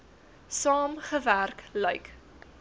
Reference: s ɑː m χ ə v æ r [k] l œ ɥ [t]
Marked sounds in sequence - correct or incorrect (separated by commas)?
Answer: correct, incorrect